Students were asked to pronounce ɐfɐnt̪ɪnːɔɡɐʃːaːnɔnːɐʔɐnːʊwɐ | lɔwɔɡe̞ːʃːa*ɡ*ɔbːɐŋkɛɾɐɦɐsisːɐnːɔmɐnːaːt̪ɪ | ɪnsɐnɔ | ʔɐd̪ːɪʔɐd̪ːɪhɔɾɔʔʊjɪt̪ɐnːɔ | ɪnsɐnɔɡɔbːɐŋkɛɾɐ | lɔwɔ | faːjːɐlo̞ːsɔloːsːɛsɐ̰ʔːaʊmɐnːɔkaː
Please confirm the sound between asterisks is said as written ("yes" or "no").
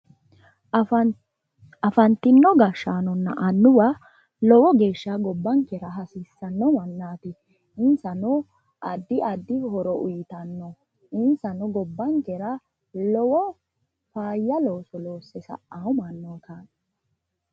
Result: yes